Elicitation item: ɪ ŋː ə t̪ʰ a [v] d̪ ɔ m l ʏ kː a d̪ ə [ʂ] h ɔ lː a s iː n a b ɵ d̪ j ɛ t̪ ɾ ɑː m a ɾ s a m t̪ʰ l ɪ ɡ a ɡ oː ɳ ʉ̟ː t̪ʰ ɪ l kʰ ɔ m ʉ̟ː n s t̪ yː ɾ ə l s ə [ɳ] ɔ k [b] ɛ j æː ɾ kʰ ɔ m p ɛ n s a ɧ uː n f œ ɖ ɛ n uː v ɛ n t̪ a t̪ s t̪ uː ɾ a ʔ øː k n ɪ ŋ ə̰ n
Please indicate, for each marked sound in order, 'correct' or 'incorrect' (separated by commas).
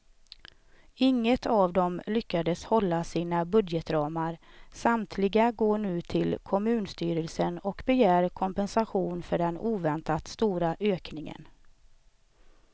correct, incorrect, incorrect, correct